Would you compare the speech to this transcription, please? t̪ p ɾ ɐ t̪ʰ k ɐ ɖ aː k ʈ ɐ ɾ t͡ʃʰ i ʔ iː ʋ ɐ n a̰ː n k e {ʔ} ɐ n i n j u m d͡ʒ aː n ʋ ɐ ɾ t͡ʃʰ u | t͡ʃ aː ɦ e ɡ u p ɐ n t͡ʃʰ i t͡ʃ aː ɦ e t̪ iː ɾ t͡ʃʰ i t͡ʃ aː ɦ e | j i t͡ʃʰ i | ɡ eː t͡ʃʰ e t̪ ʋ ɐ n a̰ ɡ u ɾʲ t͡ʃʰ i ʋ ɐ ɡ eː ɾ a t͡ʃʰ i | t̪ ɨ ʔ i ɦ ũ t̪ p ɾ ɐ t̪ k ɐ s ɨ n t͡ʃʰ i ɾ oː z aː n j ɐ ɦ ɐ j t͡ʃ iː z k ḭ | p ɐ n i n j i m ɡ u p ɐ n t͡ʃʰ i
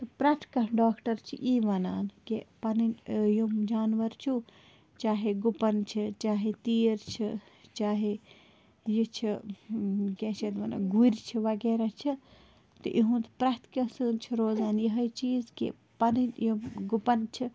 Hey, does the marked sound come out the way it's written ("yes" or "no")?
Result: no